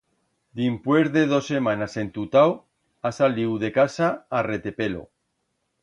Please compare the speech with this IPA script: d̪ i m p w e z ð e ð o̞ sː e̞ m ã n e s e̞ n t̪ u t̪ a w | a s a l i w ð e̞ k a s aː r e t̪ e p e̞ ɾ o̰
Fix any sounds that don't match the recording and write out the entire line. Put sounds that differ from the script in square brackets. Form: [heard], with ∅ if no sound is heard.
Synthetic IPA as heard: d̪ i m p w e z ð e ð o̞ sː e̞ m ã n [a] s e̞ n t̪ u t̪ a w | a s a l i w ð e̞ k a s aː r e t̪ e p e̞ [l] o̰